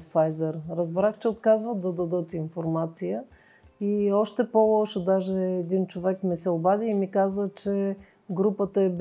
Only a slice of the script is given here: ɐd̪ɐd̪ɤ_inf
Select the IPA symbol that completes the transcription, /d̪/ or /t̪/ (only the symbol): t̪